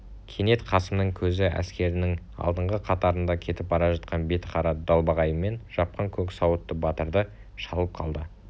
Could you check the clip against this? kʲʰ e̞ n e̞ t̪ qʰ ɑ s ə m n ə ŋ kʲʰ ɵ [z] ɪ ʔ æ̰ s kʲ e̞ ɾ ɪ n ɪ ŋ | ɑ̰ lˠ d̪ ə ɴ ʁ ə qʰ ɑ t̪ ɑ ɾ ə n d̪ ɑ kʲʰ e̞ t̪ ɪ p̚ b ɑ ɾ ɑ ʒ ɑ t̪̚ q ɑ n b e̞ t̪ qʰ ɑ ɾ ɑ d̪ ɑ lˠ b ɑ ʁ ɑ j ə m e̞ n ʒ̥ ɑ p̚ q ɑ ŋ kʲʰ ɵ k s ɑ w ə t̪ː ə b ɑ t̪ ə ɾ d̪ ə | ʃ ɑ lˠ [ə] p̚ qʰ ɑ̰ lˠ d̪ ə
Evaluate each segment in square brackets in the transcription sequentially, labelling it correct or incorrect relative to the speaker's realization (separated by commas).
correct, correct